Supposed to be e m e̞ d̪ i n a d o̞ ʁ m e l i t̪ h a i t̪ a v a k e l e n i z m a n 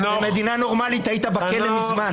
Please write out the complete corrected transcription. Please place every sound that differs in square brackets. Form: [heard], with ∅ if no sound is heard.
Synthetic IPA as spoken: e m e̞ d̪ i n a [n] o̞ ʁ m [a] l i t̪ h a i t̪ a [b] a k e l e [m] i z m a n